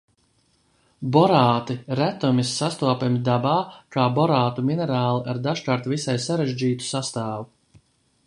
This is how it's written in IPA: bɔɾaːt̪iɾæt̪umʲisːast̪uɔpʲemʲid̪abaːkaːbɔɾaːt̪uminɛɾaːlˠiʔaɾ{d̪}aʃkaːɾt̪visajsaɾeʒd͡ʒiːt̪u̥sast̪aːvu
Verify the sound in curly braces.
correct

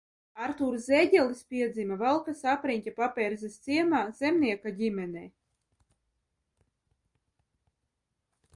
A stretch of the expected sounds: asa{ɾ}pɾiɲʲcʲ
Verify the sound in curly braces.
incorrect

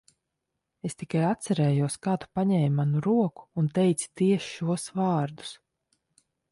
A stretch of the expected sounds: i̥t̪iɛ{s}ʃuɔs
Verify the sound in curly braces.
incorrect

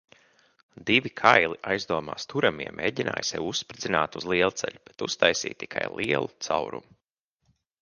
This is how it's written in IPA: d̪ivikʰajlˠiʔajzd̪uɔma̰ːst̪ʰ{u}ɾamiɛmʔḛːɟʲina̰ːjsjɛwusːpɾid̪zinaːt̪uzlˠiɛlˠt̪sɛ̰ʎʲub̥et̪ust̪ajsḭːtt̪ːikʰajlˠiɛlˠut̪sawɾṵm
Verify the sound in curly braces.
correct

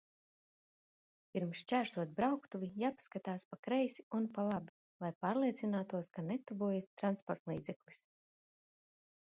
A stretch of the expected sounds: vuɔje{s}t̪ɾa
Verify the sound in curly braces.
correct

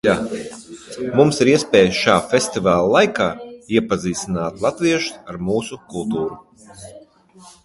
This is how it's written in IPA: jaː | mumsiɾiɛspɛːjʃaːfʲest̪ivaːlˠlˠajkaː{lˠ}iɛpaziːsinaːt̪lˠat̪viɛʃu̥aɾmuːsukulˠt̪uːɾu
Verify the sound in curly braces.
incorrect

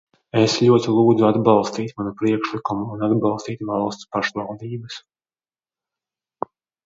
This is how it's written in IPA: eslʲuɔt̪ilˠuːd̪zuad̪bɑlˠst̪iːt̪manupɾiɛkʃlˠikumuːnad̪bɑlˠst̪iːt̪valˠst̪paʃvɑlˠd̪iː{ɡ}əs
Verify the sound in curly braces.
incorrect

